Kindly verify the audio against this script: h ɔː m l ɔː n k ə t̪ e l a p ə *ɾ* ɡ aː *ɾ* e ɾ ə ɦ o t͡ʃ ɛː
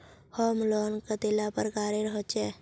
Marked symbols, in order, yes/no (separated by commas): yes, yes